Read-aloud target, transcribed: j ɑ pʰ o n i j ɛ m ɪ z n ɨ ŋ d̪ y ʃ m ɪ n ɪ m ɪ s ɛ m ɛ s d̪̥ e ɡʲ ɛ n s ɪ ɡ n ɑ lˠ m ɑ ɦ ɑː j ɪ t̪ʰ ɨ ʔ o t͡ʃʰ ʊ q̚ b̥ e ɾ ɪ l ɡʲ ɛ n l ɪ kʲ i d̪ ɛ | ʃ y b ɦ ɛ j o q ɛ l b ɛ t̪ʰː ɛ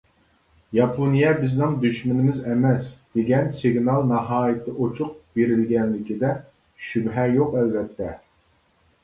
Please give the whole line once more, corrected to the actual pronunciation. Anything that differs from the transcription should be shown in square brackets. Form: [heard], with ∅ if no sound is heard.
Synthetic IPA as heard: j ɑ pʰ o n i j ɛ [b] ɪ z n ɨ ŋ d̪ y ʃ m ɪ n ɪ m ɪ [z] ɛ m ɛ s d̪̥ e ɡʲ ɛ n s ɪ ɡ n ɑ lˠ [n] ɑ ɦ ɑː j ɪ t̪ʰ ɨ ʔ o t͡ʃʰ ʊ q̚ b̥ e ɾ ɪ l ɡʲ ɛ n l ɪ kʲ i d̪ ɛ | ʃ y b ɦ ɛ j o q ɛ l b ɛ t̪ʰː ɛ